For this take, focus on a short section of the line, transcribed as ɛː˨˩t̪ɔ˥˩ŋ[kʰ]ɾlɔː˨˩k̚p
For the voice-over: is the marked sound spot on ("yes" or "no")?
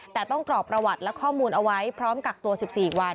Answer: no